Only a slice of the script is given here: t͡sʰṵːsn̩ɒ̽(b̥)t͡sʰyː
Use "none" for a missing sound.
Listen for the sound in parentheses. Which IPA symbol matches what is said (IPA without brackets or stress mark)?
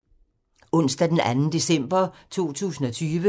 none